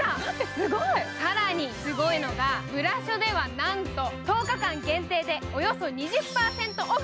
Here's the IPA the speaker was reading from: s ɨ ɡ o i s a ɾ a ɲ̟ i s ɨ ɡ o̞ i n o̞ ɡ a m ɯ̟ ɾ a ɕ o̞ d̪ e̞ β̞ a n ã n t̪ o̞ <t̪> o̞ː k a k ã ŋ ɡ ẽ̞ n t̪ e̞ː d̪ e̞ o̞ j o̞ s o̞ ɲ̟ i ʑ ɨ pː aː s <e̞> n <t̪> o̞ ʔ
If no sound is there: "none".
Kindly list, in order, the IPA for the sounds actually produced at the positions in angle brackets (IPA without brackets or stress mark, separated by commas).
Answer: t̪, ẽ̞, t̪